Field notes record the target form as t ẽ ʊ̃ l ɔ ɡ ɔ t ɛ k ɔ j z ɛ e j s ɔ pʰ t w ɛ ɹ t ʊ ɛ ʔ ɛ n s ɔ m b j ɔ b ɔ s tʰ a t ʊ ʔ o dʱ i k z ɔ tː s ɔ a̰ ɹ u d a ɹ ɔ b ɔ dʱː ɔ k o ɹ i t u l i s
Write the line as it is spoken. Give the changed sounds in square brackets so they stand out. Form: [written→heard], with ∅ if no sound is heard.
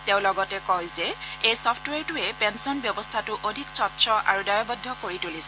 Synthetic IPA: t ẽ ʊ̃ l ɔ ɡ ɔ t ɛ k ɔ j z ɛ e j s ɔ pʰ t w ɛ ɹ t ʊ ɛ [ʔ→p] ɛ n s ɔ [m→n] b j ɔ b ɔ s tʰ a t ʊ ʔ o dʱ i k [z→s] ɔ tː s ɔ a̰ ɹ u d a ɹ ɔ b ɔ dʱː ɔ k o ɹ i t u l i s